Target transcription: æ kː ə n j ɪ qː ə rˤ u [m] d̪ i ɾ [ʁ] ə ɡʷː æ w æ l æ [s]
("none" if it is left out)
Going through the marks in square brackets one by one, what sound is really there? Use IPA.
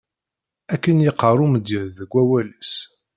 m, ð, s

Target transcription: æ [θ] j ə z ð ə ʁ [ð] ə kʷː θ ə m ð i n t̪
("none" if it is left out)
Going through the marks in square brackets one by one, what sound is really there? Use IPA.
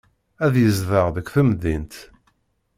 ð, ð

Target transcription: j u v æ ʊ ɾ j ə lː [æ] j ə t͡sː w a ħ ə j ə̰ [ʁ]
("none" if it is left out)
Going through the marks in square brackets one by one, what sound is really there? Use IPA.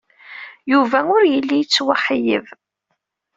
i, v

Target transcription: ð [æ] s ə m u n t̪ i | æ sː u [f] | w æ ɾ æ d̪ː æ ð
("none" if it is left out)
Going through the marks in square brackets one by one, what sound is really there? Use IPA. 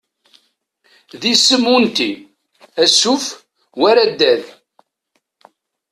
i, f

